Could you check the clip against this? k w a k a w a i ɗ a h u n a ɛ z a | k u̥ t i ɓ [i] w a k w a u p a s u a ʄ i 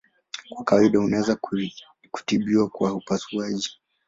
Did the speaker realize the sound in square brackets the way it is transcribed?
yes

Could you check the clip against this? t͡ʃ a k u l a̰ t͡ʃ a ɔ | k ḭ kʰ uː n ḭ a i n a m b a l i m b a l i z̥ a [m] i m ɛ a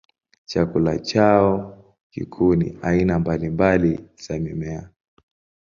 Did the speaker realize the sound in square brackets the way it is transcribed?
yes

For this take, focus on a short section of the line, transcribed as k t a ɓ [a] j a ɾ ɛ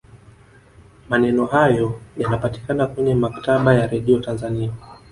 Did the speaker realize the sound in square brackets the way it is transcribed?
yes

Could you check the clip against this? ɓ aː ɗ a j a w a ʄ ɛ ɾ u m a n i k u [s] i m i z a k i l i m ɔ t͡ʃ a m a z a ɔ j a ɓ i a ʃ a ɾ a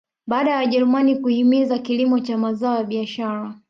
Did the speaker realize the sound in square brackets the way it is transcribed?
no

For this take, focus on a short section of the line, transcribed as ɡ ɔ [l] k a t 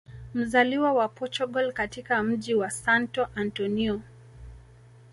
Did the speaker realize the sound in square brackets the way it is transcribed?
yes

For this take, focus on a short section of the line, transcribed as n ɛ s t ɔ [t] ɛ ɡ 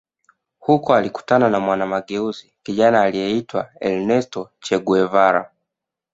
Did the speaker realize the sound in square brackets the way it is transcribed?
no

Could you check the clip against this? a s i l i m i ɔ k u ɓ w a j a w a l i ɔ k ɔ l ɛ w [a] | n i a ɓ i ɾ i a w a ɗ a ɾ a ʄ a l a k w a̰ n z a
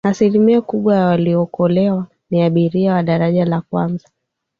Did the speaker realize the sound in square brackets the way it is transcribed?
yes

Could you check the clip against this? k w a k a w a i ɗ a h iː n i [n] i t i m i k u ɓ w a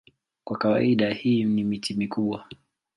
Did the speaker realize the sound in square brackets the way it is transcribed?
no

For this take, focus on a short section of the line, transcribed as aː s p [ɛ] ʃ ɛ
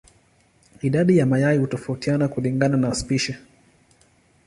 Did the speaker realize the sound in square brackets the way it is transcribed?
no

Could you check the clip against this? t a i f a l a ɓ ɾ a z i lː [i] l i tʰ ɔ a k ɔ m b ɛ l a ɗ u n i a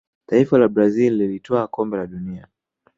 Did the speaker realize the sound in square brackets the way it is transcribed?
yes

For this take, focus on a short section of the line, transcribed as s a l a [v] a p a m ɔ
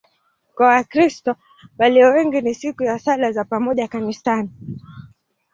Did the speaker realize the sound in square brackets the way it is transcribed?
no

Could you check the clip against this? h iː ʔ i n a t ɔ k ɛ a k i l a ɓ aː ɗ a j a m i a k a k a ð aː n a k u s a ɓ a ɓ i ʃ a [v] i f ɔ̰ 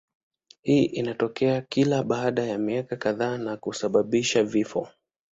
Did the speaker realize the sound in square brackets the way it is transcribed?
yes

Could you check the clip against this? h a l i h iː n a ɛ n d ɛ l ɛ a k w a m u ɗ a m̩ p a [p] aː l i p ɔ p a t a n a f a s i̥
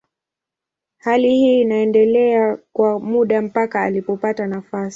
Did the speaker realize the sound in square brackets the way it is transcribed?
no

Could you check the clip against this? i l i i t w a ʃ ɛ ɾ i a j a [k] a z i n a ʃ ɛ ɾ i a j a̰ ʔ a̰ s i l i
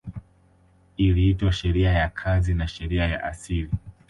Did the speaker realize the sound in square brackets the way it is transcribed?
no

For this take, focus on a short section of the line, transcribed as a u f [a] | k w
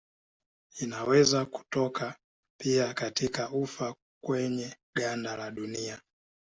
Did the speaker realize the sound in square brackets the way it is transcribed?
yes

